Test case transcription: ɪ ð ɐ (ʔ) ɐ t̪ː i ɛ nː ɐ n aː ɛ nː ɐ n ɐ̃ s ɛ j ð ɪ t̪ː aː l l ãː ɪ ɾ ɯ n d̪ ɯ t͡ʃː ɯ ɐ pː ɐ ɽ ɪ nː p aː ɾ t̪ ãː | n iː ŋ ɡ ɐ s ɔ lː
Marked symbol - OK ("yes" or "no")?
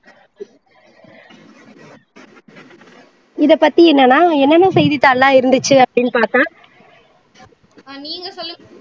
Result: no